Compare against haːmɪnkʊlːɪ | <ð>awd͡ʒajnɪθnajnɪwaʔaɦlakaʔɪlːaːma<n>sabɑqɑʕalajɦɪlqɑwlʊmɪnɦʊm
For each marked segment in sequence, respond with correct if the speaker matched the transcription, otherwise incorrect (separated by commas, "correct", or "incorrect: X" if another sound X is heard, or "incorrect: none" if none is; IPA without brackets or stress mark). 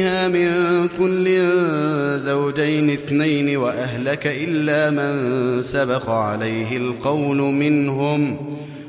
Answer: incorrect: z, correct